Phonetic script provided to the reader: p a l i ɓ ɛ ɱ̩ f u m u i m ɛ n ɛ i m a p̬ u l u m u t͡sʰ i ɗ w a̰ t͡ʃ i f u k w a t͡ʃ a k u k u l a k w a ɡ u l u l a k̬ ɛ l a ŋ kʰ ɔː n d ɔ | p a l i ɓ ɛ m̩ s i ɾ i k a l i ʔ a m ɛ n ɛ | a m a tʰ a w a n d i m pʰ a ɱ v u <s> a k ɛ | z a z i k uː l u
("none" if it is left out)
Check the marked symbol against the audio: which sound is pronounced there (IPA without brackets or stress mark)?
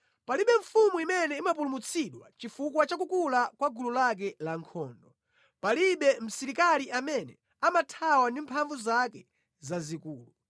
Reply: z